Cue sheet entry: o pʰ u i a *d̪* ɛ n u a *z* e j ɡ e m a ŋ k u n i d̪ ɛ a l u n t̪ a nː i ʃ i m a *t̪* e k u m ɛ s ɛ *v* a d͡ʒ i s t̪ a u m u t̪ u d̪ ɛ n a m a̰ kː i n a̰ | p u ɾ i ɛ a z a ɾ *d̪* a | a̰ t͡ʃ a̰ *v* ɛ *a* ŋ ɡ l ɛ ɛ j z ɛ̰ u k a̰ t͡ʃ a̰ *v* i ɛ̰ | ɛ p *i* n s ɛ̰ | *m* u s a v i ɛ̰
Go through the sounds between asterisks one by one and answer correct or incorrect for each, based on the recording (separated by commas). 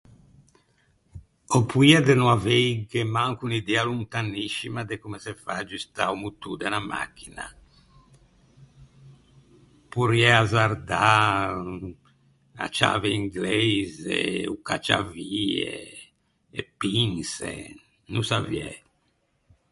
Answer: correct, incorrect, incorrect, incorrect, correct, correct, incorrect, correct, correct, incorrect